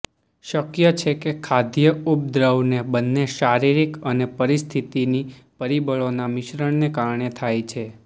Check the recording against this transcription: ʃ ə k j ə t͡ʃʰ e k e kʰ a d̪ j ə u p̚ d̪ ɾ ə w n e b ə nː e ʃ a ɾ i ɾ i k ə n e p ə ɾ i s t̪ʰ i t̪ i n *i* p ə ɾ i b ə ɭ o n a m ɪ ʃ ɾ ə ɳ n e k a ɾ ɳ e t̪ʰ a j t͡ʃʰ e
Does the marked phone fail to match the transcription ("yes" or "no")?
no